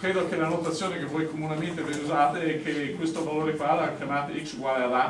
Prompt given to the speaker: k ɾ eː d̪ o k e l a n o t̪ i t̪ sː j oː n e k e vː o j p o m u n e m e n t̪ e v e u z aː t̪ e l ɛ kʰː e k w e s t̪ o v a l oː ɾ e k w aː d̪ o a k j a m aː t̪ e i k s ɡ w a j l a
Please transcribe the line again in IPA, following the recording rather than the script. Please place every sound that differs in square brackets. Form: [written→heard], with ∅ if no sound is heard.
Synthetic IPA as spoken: k ɾ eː d̪ o k e l a n o t̪ [i→a] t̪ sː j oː n e k e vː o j [p→k] o m u n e m e n t̪ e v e u z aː t̪ e [l→∅] ɛ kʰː e k w e s t̪ o v a l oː ɾ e k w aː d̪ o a k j a m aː t̪ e i k s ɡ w a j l a